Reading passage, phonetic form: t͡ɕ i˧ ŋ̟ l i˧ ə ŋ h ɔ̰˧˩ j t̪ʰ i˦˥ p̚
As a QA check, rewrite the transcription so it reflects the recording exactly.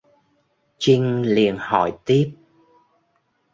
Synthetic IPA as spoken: t͡ɕ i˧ ŋ̟ l i˨˩ ə n h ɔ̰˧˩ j t̪ i˦˥ p̚